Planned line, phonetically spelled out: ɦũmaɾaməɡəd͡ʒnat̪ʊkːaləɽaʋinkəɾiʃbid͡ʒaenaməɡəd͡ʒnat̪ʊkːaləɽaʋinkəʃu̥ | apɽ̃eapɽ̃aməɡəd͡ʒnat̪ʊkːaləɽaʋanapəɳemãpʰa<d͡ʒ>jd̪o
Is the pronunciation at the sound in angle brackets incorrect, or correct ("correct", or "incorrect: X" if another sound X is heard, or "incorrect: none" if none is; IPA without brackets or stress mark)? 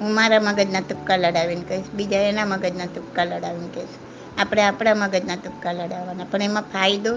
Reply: incorrect: none